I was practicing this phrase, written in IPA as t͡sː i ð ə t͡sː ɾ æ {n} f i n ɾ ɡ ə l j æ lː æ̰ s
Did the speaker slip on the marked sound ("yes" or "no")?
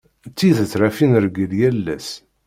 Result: yes